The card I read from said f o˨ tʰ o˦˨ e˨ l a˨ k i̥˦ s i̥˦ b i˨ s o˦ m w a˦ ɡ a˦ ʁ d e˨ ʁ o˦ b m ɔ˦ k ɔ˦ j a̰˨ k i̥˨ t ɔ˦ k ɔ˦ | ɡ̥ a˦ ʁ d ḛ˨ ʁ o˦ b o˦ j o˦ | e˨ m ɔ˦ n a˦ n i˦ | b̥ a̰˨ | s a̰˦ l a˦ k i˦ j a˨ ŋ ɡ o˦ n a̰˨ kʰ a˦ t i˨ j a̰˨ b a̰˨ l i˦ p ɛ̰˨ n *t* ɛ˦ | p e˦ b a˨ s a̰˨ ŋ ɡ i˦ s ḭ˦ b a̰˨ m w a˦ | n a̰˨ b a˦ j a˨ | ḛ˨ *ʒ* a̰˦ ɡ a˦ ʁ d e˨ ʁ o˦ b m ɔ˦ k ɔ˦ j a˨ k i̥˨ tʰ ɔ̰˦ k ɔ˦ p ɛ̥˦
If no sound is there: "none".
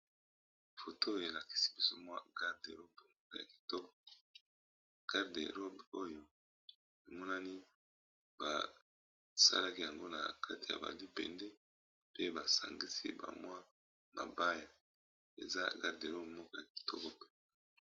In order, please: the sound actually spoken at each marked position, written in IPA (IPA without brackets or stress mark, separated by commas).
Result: d, z